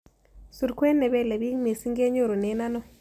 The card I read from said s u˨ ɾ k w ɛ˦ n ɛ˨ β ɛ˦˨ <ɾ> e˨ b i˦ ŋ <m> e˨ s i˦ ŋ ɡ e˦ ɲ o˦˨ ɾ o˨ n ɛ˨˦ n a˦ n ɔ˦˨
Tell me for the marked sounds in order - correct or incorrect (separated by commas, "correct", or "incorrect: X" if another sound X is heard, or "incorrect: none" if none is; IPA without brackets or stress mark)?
incorrect: l, correct